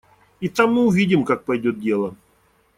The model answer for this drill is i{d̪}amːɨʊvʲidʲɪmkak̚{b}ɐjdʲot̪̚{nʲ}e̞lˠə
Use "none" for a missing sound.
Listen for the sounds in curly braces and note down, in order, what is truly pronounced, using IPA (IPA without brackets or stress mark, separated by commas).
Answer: t̪, p, dʲ